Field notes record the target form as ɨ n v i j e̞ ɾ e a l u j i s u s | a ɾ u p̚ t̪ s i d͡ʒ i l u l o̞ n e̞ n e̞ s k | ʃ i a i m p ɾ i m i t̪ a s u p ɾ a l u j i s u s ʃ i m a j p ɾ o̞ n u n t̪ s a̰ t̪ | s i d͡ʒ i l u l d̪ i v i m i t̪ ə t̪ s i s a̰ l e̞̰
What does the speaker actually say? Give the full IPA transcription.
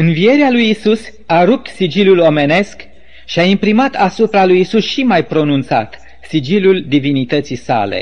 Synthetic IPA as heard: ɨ n v i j e̞ ɾ e a l u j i s u s | a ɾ u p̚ t̪ s i d͡ʒ i l u l o̞ m e̞ n e̞ s k | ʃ i a i m p ɾ i m a t̪ a s u p ɾ a l u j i s u s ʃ i m a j p ɾ o̞ n u n t̪ s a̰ t̪ | s i d͡ʒ i l u l d̪ i v i n i t̪ ə t̪ s i s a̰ l e̞̰